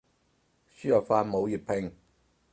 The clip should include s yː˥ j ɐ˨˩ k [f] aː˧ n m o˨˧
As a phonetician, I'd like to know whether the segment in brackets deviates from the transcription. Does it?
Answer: no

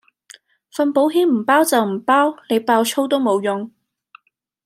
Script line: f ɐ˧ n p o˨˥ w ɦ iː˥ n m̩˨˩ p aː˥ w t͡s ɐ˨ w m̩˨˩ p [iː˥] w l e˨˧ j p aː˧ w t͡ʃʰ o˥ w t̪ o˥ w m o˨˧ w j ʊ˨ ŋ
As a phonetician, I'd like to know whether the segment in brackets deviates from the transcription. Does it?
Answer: yes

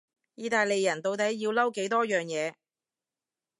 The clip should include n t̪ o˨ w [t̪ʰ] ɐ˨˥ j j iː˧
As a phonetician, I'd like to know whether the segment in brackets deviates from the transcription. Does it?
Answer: yes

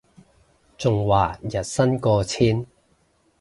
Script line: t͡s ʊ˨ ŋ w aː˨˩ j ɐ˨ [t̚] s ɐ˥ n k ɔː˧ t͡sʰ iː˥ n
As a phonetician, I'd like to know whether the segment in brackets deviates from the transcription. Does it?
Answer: no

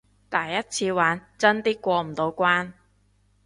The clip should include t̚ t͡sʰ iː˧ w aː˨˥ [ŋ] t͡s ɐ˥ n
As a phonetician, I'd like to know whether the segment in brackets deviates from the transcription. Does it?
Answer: yes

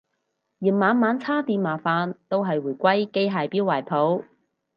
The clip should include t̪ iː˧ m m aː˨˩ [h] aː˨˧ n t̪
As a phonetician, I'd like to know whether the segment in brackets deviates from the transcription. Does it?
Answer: yes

